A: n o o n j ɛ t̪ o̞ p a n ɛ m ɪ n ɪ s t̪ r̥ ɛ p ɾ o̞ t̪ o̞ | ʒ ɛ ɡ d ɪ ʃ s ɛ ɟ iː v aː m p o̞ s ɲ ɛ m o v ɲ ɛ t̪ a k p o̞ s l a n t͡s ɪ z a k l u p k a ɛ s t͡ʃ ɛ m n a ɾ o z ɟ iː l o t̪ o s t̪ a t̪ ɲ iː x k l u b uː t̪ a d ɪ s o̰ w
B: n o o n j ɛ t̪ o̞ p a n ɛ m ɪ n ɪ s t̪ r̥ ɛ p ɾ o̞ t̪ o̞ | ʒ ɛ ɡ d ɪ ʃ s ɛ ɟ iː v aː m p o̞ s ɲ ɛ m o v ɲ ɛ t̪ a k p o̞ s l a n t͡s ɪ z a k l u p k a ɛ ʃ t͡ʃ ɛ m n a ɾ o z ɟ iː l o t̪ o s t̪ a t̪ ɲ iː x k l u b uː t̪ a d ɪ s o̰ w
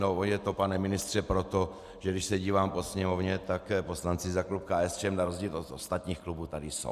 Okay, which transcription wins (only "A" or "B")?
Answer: A